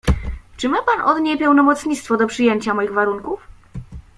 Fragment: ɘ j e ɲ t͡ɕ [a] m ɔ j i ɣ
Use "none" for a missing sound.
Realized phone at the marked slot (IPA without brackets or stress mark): a